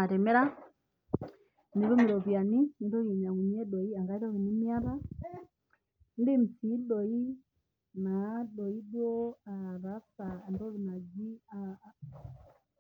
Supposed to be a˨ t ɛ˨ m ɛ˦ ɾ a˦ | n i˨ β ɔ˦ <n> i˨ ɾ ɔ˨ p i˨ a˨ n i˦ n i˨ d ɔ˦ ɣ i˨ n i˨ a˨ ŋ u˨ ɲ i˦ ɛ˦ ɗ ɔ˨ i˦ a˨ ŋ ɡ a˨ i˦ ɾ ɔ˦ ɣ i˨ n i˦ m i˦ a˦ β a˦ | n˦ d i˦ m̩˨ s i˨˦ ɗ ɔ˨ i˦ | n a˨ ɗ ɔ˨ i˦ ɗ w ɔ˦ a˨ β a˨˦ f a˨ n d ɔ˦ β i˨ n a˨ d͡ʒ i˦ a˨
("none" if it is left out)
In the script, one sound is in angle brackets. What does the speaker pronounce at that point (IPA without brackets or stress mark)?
m